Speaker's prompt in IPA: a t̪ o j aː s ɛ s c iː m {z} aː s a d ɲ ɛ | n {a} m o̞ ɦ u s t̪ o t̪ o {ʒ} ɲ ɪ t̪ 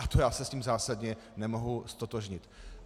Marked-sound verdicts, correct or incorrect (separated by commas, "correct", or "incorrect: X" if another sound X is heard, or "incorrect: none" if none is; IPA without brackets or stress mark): correct, incorrect: ɛ, correct